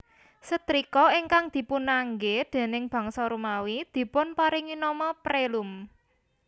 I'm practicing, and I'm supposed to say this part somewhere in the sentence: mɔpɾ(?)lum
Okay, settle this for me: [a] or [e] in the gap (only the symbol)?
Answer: e